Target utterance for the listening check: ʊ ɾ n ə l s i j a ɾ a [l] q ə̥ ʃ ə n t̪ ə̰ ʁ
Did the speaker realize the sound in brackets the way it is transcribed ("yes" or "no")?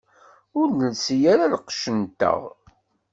yes